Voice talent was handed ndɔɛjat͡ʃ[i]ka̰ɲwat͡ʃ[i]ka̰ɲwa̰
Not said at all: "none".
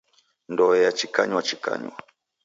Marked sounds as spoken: i, i

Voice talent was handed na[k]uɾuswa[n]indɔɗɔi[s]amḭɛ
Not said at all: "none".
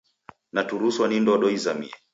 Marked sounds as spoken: t, n, z

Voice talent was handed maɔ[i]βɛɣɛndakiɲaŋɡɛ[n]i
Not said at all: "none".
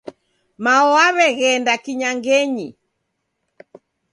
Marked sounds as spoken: a, ɲ

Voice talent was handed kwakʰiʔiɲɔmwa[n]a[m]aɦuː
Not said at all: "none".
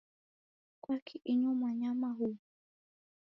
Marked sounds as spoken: ɲ, m

